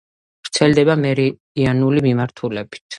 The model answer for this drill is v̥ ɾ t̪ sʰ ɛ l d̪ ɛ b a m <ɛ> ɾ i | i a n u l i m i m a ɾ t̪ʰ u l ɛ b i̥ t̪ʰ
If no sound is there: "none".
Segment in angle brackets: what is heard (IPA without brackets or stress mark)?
ɛ